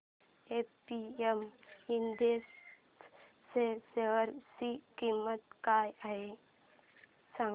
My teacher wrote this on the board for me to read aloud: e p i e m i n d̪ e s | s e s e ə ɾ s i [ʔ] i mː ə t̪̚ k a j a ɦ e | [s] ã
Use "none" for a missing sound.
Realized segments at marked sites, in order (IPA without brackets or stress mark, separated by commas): k, s